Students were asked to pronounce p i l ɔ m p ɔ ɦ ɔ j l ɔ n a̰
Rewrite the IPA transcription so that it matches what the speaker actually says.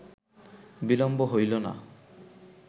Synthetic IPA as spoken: b i l ɔ m b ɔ ɦ o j l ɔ n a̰

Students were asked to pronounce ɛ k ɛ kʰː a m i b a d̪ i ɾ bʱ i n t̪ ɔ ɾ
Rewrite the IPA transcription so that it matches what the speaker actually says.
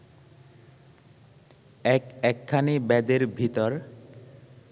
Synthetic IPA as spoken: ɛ k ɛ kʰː a n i b ɛ d̪ e ɾ bʱ i t̪ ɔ ɾ

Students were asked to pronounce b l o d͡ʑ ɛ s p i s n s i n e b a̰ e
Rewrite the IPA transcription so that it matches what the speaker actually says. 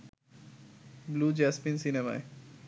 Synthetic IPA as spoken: b l u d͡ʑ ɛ s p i n s i n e m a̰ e

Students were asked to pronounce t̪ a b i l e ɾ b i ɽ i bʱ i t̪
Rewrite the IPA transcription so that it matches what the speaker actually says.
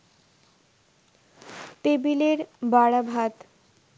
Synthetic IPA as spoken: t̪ e b i l e ɾ b a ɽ a bʱ a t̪

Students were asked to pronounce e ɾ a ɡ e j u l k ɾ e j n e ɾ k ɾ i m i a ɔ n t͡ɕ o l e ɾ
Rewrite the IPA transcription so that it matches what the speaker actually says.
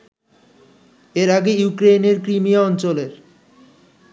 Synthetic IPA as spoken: e ɾ a ɡ e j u k ɾ e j n e ɾ k ɾ i m i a ɔ n t͡ɕ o l e ɾ

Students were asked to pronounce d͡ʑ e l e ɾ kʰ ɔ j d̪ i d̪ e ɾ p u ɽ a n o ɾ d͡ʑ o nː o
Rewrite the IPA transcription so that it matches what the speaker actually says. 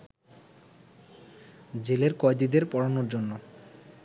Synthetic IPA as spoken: d͡ʑ e l e ɾ k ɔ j d̪ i d̪ e ɾ p ɔ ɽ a n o ɾ d͡ʑ o nː o

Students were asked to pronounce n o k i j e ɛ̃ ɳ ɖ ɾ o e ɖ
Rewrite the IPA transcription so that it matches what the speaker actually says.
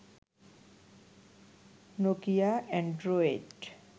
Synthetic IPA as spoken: n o k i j a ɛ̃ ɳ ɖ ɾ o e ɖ

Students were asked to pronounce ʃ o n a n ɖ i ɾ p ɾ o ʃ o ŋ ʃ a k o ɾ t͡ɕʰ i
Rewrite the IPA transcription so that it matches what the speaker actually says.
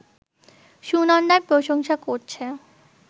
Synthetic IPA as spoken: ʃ u n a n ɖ a ɾ p ɾ o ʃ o ŋ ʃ a k o ɾ t͡ɕʰ e

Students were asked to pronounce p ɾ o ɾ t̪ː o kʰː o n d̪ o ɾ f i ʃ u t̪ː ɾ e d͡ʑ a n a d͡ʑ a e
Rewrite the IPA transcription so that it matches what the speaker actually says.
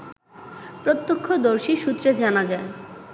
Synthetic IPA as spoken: p ɾ o t̪ː o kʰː o d̪ o ɾ ʃ i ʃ u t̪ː ɾ e d͡ʑ a n a d͡ʑ a e

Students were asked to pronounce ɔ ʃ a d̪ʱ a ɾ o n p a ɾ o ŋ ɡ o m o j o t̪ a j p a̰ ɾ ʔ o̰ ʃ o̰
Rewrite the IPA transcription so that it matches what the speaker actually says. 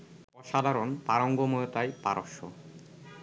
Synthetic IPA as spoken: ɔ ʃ a d̪ʱ a ɾ o n p a ɾ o ŋ ɡ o m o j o t̪ a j p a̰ ɾ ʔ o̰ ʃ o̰

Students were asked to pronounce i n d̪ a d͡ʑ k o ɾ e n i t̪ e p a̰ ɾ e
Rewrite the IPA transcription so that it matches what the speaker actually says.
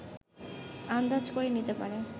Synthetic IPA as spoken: a n d̪ a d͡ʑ k o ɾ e n i t̪ e p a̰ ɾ e

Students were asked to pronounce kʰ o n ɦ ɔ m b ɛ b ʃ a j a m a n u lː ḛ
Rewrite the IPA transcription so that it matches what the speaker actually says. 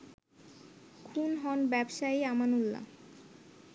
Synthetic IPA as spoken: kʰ u n ɦ ɔ n b ɛ b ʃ a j a m a n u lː a̰

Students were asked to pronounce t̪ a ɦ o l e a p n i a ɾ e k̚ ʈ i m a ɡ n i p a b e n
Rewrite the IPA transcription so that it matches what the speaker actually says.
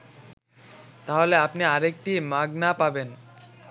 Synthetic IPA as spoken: t̪ a ɦ o l e a p n i a ɾ e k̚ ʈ i m a ɡ n a p a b e n

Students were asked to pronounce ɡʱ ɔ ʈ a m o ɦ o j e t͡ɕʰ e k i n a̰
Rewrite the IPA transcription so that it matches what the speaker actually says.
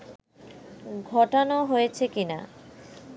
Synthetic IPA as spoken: ɡʱ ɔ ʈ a n o ɦ o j e t͡ɕʰ e k i n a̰

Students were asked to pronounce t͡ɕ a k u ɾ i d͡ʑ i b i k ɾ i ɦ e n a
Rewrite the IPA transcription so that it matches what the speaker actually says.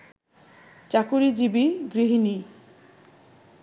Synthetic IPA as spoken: t͡ɕ a k u ɾ i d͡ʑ i b i ɡ ɾ i ɦ i n i

